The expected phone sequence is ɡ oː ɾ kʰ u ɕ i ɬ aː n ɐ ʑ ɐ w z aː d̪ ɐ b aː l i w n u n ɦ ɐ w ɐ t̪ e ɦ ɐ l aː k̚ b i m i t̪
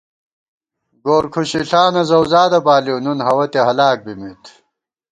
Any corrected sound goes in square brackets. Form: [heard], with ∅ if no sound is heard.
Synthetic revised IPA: ɡ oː ɾ kʰ u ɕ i ɬ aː n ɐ [z] ɐ w z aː d̪ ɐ b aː l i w n u n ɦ ɐ w ɐ t̪ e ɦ ɐ l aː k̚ b i m i t̪

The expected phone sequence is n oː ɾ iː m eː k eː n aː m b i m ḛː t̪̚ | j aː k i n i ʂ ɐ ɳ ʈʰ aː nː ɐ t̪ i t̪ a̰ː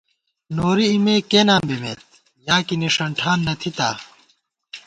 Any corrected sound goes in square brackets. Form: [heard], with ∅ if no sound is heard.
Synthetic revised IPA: n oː ɾ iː m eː k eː n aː m b i m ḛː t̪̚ | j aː k i n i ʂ ɐ ɳ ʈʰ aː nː ɐ [t̪ʰ] i t̪ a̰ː

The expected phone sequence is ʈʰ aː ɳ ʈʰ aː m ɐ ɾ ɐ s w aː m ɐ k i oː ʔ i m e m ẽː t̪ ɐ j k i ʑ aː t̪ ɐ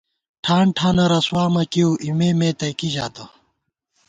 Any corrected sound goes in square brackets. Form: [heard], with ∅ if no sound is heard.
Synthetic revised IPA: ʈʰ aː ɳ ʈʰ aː [n] ɐ ɾ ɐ s w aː m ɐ k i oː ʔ i m e m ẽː t̪ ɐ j k i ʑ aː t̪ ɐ

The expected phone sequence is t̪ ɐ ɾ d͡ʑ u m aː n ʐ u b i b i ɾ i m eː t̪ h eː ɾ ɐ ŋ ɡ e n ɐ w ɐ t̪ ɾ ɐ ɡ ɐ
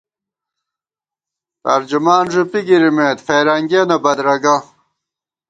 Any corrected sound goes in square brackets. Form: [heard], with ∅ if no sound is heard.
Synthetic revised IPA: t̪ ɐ ɾ d͡ʑ u m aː n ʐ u [p] i [ɡ] i ɾ i m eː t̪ [f] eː ɾ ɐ ŋ ɡ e n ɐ [b] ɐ [d̪] ɾ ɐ ɡ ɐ

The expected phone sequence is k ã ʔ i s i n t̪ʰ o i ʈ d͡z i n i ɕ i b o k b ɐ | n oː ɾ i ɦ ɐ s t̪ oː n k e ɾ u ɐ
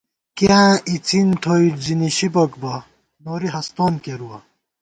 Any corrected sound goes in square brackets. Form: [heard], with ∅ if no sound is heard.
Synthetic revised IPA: k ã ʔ i [t͡s] i n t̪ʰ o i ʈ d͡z i n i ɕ i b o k b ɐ | n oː ɾ i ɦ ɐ s t̪ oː n k e ɾ u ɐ

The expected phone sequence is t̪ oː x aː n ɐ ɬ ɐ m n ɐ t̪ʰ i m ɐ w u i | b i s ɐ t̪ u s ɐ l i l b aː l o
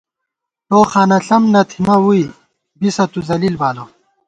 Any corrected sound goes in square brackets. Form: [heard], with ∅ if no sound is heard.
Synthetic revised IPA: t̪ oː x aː n ɐ ɬ ɐ m n ɐ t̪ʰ i m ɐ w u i | b i s ɐ t̪ u [z] ɐ l i l b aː l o

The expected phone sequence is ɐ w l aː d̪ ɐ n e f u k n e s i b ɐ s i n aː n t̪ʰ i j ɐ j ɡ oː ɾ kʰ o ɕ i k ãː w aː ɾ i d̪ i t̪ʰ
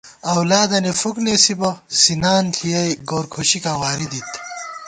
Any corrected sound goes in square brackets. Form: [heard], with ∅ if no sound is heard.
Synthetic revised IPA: ɐ w l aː d̪ ɐ n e f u k n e s i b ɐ s i n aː n t̪ʰ i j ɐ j ɡ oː ɾ kʰ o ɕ i k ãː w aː ɾ i d̪ i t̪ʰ

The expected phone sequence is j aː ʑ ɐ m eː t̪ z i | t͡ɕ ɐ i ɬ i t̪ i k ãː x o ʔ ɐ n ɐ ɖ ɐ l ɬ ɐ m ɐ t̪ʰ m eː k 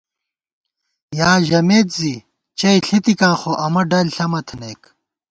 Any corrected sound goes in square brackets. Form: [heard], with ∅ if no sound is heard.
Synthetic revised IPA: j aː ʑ ɐ m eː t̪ z i | t͡ɕ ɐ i ɬ i t̪ i k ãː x o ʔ ɐ [m] ɐ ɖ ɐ l ɬ ɐ m ɐ t̪ʰ [n] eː k

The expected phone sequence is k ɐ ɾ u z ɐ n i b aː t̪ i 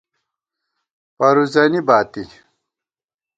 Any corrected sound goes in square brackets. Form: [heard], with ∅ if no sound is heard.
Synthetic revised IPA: [p] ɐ ɾ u z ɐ n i b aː t̪ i

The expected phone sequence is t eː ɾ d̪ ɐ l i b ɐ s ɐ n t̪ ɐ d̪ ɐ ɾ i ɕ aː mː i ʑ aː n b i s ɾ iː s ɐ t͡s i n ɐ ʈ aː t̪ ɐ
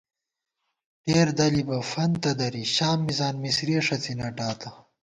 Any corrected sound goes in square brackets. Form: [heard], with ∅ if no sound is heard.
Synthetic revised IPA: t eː ɾ d̪ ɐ l i b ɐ [f] ɐ n t̪ ɐ d̪ ɐ ɾ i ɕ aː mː i [z] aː n [m] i s ɾ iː [ʂ] ɐ t͡s i n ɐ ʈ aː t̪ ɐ

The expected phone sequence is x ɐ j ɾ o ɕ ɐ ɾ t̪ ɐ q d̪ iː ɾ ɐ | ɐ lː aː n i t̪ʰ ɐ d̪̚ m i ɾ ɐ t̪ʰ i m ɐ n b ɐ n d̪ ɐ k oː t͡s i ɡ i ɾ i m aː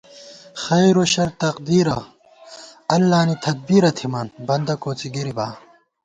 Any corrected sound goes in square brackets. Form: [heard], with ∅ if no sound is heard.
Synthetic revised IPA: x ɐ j ɾ o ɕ ɐ ɾ t̪ ɐ q d̪ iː ɾ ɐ | ɐ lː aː n i t̪ʰ ɐ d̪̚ [b] i ɾ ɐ t̪ʰ i m ɐ n b ɐ n d̪ ɐ k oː t͡s i ɡ i ɾ i [b] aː

